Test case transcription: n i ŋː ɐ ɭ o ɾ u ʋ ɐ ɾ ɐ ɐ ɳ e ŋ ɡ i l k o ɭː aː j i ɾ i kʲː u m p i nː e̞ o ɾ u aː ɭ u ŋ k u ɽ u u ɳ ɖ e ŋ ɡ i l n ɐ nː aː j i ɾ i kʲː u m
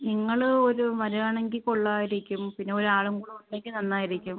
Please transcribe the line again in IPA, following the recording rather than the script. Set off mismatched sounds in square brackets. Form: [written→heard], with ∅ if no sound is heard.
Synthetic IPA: n i ŋː ɐ ɭ o ɾ u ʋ ɐ ɾ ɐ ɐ ɳ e ŋ ɡ i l k o ɭː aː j i ɾ i kʲː u m p i nː e̞ o ɾ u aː ɭ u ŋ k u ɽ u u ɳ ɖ e ŋ ɡ i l n ɐ nː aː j i ɾ i kʲː u m

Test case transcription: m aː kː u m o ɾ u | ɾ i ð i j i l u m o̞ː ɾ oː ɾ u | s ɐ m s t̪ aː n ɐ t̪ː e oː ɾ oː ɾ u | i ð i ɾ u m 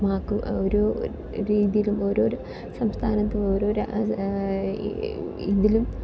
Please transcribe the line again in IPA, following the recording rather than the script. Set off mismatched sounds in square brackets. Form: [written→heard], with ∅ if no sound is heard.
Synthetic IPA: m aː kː u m o ɾ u | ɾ [i→iː] ð i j i l u m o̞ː ɾ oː ɾ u | s ɐ m s [t̪→t̪ʰ] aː n ɐ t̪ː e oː ɾ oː ɾ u | i ð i [ɾ→l] u m

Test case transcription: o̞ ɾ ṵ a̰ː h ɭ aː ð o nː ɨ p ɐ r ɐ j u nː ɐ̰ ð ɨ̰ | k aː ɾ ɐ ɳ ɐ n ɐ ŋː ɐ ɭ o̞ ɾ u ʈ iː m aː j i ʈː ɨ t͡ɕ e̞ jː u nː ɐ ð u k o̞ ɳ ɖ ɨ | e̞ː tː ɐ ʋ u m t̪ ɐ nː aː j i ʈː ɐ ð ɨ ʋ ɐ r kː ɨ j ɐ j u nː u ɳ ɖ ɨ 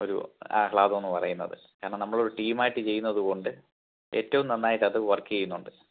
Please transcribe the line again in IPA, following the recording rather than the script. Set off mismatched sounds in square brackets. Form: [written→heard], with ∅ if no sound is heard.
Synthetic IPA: o̞ ɾ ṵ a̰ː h ɭ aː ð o nː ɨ p ɐ r ɐ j u nː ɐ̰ ð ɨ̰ | k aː ɾ ɐ ɳ ɐ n ɐ [ŋː→mː] ɐ ɭ o̞ ɾ u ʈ iː m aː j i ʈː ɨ t͡ɕ e̞ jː u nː ɐ ð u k o̞ ɳ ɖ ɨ | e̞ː tː ɐ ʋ u m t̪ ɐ nː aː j i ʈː ɐ ð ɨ ʋ ɐ r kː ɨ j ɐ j u nː u ɳ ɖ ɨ

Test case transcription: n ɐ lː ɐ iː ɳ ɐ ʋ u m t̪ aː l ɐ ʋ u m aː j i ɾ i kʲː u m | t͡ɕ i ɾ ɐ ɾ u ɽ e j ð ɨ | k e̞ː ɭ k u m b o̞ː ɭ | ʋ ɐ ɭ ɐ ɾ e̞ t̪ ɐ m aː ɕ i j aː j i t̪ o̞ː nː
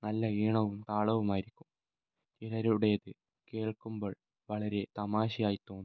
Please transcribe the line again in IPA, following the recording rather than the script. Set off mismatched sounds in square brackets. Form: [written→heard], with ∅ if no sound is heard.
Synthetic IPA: n ɐ lː ɐ iː ɳ ɐ ʋ u m t̪ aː [l→ɭ] ɐ ʋ u m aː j i ɾ i kʲː u m | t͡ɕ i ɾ ɐ ɾ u ɽ e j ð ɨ | k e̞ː ɭ k u m b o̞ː ɭ | ʋ ɐ ɭ ɐ ɾ e̞ t̪ ɐ m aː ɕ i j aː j i t̪ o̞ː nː

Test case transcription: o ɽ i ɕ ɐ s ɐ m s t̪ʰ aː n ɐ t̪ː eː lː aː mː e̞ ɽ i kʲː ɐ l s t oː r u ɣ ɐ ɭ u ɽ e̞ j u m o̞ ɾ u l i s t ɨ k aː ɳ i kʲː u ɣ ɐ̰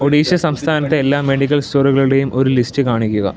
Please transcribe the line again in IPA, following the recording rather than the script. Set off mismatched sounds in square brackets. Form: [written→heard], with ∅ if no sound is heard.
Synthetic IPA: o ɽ [i→iː] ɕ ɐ s ɐ m s t̪ʰ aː n ɐ t̪ː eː lː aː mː e̞ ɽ i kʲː ɐ l s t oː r u ɣ ɐ ɭ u ɽ e̞ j u m o̞ ɾ u l i s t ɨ k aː ɳ i kʲː u ɣ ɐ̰

